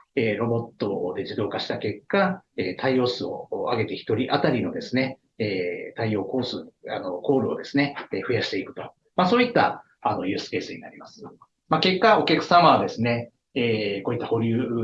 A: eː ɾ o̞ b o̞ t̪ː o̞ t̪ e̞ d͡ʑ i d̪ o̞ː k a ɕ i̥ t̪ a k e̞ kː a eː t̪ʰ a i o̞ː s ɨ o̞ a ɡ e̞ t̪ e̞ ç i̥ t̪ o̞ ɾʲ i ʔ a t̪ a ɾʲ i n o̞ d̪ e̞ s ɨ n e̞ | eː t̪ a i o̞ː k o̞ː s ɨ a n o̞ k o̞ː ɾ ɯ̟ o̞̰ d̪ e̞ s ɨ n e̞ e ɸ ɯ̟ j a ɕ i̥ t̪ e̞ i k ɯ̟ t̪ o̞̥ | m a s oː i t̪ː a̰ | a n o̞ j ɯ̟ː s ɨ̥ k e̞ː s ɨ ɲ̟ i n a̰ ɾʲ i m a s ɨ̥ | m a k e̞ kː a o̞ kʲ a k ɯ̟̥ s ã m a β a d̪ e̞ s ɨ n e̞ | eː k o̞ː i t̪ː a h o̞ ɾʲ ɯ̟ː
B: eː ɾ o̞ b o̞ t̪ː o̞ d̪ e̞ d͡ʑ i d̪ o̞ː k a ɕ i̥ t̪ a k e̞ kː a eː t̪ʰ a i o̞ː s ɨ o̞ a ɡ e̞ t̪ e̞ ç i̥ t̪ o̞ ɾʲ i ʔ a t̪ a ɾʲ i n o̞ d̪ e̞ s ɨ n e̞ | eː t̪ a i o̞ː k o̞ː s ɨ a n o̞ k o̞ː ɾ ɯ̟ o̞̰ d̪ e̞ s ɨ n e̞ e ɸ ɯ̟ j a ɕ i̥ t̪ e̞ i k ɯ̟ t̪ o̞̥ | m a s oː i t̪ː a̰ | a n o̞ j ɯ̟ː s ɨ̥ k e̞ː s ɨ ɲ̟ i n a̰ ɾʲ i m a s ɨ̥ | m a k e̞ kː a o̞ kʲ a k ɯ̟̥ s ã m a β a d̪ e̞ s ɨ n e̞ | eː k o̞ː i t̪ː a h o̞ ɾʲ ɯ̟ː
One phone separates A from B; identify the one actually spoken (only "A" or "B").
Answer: B